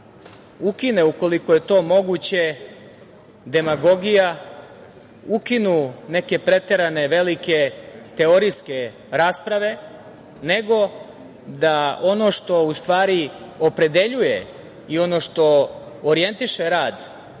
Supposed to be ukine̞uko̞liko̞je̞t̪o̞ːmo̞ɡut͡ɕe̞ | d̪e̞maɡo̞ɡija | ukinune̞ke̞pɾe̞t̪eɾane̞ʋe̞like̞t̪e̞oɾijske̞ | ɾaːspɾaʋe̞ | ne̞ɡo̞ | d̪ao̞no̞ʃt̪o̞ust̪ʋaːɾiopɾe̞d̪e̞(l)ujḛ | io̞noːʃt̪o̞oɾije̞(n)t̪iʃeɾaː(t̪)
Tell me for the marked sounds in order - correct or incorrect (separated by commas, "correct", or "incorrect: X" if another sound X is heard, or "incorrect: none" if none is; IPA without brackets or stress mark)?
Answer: incorrect: ʎ, correct, incorrect: d̪